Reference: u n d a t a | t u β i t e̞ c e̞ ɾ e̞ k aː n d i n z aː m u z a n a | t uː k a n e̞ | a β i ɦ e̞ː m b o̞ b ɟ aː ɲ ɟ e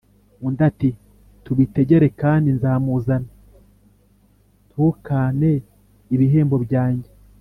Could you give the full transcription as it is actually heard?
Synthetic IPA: u n d a t i | t u β i t e̞ ɟ e̞ ɾ e̞ k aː n d i n z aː m u z a n a | t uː k a n e̞ | i β i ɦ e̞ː m b o̞ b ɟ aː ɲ ɟ e